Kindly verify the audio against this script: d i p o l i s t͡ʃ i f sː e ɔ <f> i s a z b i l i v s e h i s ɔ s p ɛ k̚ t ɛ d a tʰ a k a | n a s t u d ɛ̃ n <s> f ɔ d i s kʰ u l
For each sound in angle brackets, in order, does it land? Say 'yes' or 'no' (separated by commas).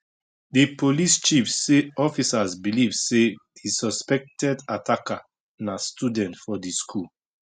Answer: yes, no